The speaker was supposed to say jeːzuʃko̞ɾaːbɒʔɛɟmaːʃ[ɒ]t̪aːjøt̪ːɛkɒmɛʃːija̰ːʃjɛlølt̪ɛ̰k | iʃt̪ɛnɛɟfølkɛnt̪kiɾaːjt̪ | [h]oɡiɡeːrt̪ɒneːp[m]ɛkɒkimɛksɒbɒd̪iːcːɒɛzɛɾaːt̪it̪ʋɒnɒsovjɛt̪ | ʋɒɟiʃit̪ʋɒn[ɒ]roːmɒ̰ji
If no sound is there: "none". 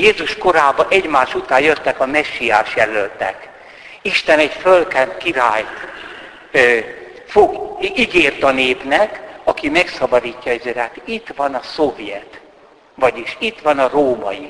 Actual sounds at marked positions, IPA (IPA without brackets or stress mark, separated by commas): u, f, n, ɒ